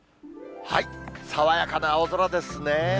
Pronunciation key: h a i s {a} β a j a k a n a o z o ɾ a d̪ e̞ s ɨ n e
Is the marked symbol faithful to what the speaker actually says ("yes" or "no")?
yes